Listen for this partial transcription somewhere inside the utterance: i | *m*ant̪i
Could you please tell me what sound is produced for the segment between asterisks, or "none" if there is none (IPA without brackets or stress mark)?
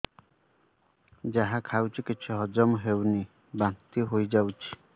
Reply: b